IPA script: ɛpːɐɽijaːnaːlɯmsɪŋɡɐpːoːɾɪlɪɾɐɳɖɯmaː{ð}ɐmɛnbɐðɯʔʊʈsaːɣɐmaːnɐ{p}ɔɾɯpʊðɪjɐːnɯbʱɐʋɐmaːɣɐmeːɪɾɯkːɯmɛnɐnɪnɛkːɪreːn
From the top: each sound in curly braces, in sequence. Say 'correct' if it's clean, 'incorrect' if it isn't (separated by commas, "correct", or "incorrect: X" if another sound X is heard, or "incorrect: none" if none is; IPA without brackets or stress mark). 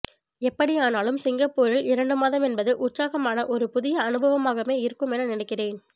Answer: correct, incorrect: ʔ